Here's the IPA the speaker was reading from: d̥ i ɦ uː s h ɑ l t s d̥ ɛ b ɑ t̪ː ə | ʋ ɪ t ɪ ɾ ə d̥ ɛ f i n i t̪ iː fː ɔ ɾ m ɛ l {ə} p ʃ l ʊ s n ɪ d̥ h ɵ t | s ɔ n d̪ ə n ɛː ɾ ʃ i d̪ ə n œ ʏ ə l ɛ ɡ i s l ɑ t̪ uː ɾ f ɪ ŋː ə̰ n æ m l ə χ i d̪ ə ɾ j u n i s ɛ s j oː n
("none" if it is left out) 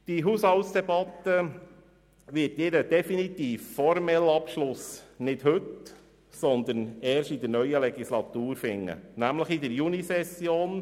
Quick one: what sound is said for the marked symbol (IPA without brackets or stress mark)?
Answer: ɑ